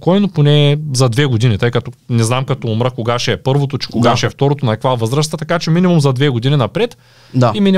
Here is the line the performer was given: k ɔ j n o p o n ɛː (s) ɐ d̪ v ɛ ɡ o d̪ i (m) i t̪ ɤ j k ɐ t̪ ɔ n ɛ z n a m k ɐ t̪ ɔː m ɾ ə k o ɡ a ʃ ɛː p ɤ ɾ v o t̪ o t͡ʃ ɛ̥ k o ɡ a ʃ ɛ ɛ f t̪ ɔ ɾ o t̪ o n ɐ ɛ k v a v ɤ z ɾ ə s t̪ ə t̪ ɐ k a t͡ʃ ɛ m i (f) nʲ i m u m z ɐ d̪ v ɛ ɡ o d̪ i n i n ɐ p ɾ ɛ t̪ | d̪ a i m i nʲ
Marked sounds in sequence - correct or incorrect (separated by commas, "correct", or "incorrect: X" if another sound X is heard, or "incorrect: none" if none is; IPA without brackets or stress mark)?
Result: incorrect: z, incorrect: n, incorrect: none